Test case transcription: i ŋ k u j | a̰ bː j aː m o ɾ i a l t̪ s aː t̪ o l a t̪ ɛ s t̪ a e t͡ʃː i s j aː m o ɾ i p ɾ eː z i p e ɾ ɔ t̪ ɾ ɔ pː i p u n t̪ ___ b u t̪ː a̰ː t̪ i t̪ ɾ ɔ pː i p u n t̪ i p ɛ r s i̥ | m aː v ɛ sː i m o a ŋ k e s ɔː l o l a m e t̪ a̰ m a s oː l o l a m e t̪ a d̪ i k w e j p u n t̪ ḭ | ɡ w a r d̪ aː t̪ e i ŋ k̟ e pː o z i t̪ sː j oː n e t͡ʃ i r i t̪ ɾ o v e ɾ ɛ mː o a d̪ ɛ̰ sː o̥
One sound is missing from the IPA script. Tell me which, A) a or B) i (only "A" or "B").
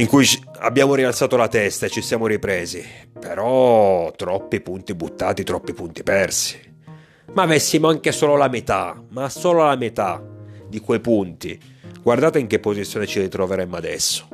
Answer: B